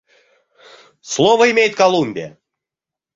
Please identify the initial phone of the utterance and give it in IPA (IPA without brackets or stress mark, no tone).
s